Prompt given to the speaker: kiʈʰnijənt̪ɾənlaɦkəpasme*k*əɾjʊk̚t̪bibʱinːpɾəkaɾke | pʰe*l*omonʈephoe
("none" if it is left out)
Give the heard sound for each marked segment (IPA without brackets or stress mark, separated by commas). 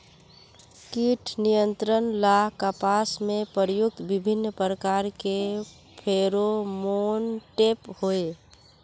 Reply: p, ɾ